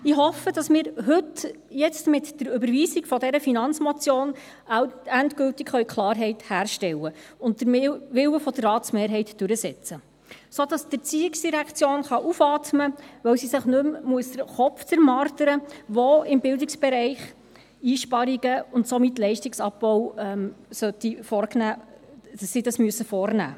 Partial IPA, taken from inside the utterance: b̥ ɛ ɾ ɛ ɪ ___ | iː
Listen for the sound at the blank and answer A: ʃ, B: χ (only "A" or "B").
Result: B